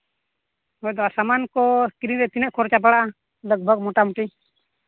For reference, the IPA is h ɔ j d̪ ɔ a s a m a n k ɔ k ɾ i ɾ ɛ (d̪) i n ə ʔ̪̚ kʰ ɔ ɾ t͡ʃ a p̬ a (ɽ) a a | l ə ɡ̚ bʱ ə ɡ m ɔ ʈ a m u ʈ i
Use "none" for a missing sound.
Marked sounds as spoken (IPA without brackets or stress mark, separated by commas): t̪, ɽ